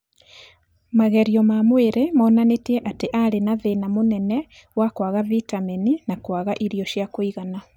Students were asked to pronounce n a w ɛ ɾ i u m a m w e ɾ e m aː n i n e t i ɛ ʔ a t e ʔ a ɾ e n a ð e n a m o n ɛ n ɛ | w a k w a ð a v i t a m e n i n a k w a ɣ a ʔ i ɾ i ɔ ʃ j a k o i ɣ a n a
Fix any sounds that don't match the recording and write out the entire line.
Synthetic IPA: m a ɣ ɛ ɾ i ɔ m a m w e ɾ e m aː n a n e t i ɛ ʔ a t e ʔ a ɾ e n a ð e n a m o n ɛ n ɛ | w a k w a ɣ a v i t a m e n i n a k w a ɣ a ʔ i ɾ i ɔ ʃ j a k o i ɣ a n a

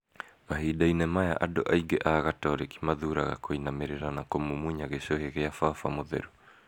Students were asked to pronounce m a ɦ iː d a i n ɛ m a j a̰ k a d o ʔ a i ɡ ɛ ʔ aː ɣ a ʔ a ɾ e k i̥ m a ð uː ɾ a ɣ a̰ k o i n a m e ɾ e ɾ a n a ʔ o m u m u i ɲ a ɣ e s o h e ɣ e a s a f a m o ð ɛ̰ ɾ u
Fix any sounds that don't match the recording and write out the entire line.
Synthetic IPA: m a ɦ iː d a i n ɛ m a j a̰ ʔ a d o ʔ a i ɡ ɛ ʔ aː ɣ a t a ɾ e k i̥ m a ð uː ɾ a ɣ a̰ k o i n a m e ɾ e ɾ a n a k o m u m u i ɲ a ɣ e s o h e ɣ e a f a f a m o ð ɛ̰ ɾ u

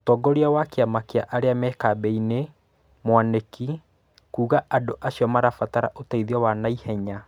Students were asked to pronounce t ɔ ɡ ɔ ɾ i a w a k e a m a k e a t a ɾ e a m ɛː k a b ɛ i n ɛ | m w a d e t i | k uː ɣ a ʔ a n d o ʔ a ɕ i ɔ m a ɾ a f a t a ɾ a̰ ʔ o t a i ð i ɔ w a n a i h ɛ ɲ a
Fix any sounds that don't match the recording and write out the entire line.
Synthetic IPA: t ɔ ɡ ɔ ɾ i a w a k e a m a k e a ʔ a ɾ e a m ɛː k a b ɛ i n e | m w a n e k i | k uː ɣ a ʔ a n d o ʔ a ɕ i ɔ m a ɾ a f a t a ɾ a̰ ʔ o t a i ð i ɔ w a n a i h ɛ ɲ a

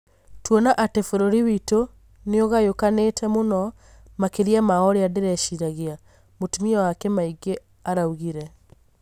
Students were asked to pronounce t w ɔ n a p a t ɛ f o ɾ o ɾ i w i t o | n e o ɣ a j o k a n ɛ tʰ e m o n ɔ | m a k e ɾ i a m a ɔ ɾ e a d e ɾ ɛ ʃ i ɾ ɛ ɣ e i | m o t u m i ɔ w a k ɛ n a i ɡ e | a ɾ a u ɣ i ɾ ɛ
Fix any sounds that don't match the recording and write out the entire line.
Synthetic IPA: t w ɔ n a ʔ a t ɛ f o ɾ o ɾ i w i t o | n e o ɣ a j o k a n e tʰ ɛ m o n ɔ | m a k e ɾ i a m a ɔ ɾ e a d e ɾ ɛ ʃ i ɾ a ɣ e a | m o t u m i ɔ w a k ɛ m a i ɡ e | a ɾ a u ɣ i ɾ ɛ

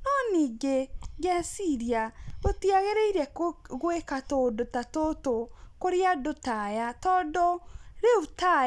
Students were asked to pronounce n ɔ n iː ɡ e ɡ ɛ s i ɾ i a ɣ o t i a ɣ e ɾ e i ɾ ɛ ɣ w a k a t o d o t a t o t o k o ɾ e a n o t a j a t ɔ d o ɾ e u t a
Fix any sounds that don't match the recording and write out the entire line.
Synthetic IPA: n ɔ n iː ɡ e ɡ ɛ s i ɾ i a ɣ o t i a ɣ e ɾ e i ɾ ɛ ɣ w e k a t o d o t a t o t o k o ɾ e a d o t a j a t ɔ d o ɾ e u t a

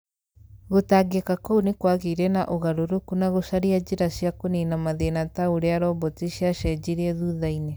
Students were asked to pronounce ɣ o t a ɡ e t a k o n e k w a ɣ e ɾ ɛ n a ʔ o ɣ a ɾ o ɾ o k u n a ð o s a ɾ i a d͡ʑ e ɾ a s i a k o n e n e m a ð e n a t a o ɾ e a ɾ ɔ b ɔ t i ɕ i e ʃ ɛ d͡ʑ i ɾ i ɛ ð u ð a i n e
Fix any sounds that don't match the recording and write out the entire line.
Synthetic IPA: ɣ o t a ɡ e k a k o n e k w a ɣ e ɾ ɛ n a ʔ o ɣ a ɾ o ɾ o k u n a ɣ o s a ɾ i a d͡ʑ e ɾ a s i a k o n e n a m a ð e n a t a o ɾ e a ɾ ɔ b ɔ t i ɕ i a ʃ ɛ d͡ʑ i ɾ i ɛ ð u ð a i n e

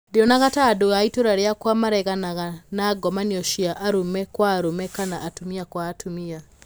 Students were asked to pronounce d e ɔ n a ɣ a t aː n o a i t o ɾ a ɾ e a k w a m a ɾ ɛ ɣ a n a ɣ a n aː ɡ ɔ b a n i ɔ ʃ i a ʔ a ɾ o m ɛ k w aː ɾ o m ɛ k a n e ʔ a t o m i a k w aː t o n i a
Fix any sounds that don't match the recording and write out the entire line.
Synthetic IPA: d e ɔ n a ɣ a t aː d o a i t o ɾ a ɾ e a k w a m a ɾ ɛ ɣ a n a ɣ a n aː ɡ ɔ m a n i ɔ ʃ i a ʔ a ɾ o m ɛ k w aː ɾ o m ɛ k a n a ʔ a t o m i a k w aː t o m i a

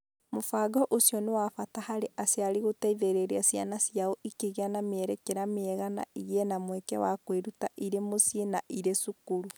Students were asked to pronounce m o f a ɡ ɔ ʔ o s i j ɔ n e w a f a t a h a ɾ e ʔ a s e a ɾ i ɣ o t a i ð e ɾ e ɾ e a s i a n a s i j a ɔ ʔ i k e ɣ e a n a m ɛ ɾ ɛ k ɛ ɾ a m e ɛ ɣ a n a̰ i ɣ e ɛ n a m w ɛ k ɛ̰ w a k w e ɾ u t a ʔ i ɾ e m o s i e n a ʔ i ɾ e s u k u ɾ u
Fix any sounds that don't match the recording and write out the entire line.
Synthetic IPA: m o f a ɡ ɔ ʔ o s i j ɔ n e w a f a t a h a ɾ e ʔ a s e a ɾ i ɣ o t a i ð e ɾ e ɾ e a s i a n a s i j a ɔ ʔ i k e ɣ e a n a m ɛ ɾ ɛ k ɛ ɾ a m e ɛ ɣ a n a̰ i ɣ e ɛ n a m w ɛ k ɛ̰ w a k w e ɾ u t a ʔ i ɾ e m o s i e n a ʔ i ɾ e s u k u ɾ u

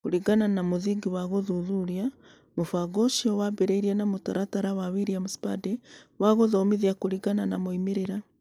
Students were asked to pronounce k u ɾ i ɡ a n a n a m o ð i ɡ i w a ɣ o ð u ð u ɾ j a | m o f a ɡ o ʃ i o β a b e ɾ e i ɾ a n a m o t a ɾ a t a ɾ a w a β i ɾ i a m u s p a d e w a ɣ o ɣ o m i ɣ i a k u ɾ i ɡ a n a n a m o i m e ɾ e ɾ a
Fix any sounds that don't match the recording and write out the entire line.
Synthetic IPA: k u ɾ i ɡ a n a n a m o ð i ɡ i w a ɣ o ð u ð u ɾ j a | m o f a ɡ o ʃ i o w a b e ɾ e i ɾ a n a m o t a ɾ a t a ɾ a w a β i ɾ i a m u s p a d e w a ɣ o ð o m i ð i a k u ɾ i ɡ a n a n a m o i m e ɾ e ɾ a

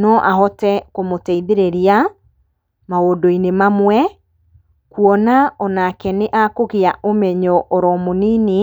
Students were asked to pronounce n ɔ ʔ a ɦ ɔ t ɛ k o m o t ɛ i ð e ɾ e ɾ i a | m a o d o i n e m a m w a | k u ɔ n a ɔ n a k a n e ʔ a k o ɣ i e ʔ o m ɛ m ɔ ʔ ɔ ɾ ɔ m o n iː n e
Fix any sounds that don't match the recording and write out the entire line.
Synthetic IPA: n ɔ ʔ a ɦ ɔ t ɛ k o m o t ɛ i ð e ɾ e ɾ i a | m a o d o i n e m a m w ɛ | k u ɔ n a ɔ n a k ɛ n e ʔ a k o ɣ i a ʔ o m ɛ ɲ ɔ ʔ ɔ ɾ ɔ m o n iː n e

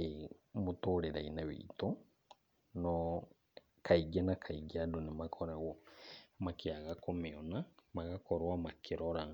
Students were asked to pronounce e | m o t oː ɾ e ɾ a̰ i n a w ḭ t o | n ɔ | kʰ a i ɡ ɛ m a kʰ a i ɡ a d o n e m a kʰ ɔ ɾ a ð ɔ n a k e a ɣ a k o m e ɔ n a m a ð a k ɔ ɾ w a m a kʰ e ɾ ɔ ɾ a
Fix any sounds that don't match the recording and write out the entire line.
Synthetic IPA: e | m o t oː ɾ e ɾ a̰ i n a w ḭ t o | n ɔ | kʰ a i ɡ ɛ n a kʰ a i ɡ a d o n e m a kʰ ɔ ɾ a ɣ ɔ m a k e a ɣ a k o m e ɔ n a m a ɣ a k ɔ ɾ w a m a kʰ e ɾ ɔ ɾ a

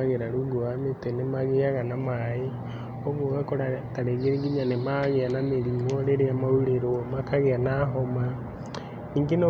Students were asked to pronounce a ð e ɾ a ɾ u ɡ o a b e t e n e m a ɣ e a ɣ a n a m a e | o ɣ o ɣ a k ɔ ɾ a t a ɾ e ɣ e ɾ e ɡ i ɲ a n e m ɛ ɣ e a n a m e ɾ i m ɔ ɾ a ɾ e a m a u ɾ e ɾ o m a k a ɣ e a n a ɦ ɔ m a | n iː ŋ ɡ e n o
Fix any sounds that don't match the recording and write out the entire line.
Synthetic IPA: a ɣ e ɾ a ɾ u ɡ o a m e t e n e m a ɣ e a ɣ a n a m a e | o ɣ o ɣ a k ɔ ɾ a t a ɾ e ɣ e ɾ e ɡ i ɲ a n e m a ɣ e a n a m e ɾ i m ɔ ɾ e ɾ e a m a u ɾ e ɾ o m a k a ɣ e a n a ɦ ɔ m a | n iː ŋ ɡ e n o

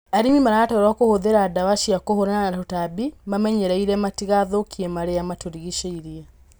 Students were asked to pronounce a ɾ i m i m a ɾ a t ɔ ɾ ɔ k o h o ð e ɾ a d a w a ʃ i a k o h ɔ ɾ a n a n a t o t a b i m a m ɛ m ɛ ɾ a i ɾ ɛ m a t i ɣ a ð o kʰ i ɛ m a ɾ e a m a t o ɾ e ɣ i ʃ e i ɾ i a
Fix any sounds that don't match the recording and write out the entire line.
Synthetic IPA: a ɾ i m i m a ɾ a t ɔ ɾ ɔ k o h o ð e ɾ a d a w a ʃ i a k o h o ɾ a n a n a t o t a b i m a m ɛ ɲ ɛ ɾ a i ɾ ɛ m a t i ɣ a ð o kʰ i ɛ m a ɾ e a m a t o ɾ i ɣ i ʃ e i ɾ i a

